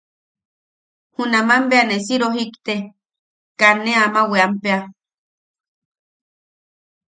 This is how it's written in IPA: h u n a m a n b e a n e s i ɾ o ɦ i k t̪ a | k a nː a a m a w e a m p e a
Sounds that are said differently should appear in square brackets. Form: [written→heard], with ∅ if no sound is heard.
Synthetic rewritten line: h u n a m a [n→m] b e a n e s i ɾ o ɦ i k t̪ [a→e] | k a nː [a→e] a m a w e a m p e a

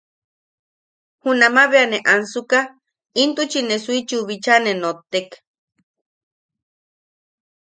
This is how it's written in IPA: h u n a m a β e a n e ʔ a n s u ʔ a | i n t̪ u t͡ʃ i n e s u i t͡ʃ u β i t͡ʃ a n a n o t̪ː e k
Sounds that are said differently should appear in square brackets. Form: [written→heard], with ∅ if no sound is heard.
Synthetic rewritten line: h u n a m a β e a n e ʔ a n s u [ʔ→k] a | i n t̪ u t͡ʃ i n e s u i t͡ʃ u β i t͡ʃ a n [a→e] n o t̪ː e k

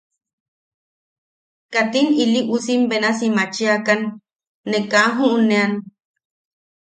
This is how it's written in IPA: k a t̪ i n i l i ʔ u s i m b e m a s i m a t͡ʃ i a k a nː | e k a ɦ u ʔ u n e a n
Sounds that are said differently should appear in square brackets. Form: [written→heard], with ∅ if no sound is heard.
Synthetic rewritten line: k a t̪ i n i l i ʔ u s i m b e [m→n] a s i m a t͡ʃ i a k a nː | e k a ɦ u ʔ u n e a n

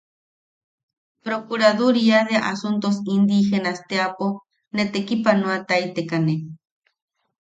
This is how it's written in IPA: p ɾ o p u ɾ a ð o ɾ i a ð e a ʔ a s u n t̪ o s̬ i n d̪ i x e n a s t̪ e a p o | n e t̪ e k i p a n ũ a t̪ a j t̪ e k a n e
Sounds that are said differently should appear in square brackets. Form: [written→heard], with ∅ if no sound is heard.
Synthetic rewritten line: p ɾ o [p→k] u ɾ a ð [o→u] ɾ i a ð e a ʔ a s u n t̪ o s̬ i n d̪ i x e n a s t̪ e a p o | n e t̪ e k i p a n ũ a t̪ a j t̪ e k a n e

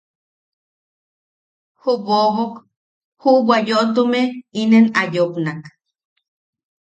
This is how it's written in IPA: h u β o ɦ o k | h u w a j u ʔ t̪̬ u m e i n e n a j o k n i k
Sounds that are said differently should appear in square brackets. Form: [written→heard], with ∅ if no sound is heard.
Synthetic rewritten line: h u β o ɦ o k | h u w a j [u→o] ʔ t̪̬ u m e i n e n a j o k n [i→a] k

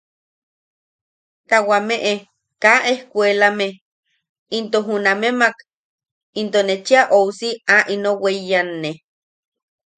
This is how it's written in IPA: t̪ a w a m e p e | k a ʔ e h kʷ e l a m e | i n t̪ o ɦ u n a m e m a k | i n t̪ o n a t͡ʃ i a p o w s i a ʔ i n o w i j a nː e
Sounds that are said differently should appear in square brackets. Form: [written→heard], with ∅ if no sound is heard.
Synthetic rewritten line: t̪ a w a m e [p→ʔ] e | k a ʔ e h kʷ e l a m e | i n t̪ o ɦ u n a m e m a k | i n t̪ o n [a→e] t͡ʃ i a [p→ʔ] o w s i a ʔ i n o w [i→e] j a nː e

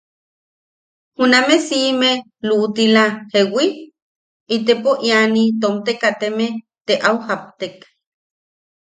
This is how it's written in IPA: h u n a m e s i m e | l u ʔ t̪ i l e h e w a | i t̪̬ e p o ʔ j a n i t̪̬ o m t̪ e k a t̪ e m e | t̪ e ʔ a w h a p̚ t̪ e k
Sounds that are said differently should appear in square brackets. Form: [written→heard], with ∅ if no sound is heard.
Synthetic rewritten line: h u n a m e s i m e | l u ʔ t̪ i l [e→a] h e w [a→i] | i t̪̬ e p o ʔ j a n i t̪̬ o m t̪ e k a t̪ e m e | t̪ e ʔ a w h a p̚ t̪ e k

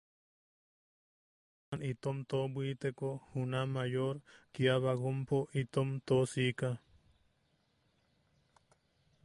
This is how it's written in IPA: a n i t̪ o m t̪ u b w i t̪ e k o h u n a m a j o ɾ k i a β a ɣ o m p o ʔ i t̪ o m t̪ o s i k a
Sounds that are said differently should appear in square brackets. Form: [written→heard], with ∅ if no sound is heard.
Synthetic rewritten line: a n i t̪ o m t̪ [u→o] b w i t̪ e k o h u n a m a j o ɾ k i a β a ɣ o m p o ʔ i t̪ o m t̪ o s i k a

